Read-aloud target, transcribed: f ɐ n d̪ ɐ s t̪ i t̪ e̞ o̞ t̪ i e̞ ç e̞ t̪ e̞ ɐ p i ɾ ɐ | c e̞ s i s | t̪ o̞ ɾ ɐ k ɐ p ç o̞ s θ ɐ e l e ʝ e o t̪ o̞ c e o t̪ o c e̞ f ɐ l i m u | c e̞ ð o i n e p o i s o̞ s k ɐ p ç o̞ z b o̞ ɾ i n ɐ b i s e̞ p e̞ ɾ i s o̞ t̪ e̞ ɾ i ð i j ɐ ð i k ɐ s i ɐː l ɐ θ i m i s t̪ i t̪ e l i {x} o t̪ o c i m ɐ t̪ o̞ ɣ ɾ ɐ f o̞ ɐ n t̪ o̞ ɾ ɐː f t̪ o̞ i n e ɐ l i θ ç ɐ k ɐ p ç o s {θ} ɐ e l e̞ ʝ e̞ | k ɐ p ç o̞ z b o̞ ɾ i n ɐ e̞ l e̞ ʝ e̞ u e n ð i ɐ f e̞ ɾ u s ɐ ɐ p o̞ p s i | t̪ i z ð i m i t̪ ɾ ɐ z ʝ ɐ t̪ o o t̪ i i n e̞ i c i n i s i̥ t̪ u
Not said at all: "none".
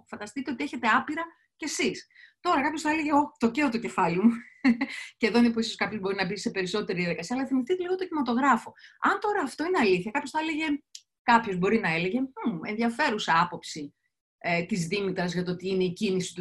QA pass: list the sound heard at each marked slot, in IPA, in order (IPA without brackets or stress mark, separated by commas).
ɣ, θ